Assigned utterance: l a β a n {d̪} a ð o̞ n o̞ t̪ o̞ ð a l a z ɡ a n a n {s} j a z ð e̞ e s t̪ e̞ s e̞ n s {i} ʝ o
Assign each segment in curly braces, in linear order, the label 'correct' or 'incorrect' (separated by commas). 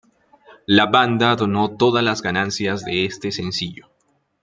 correct, correct, correct